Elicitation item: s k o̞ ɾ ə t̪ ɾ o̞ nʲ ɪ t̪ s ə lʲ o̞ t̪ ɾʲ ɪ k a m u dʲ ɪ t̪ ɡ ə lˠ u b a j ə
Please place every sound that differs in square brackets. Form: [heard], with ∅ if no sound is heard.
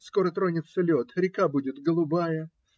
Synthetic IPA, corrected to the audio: s k o̞ ɾ ə t̪ ɾ o̞ nʲ ɪ t̪ s ə lʲ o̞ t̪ ɾʲ ɪ k a [b] u dʲ ɪ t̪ ɡ ə lˠ [ʊ] b a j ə